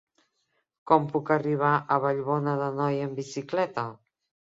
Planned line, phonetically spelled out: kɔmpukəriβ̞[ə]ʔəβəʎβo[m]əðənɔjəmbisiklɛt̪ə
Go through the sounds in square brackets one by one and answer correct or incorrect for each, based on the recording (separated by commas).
incorrect, incorrect